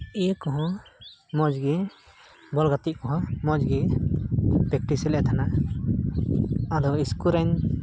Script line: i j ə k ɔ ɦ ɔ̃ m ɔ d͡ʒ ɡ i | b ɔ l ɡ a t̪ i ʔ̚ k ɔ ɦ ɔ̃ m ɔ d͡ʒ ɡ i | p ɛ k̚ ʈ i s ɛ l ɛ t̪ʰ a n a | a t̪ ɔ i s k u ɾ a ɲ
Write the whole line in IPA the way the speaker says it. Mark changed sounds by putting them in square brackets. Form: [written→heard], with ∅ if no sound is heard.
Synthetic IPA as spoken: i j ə k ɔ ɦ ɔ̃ m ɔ d͡ʒ ɡ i | b ɔ l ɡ a t̪ i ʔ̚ k ɔ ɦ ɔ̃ m ɔ d͡ʒ ɡ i | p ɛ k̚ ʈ i s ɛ l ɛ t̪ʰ a n a | a [t̪→d̪] ɔ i s k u ɾ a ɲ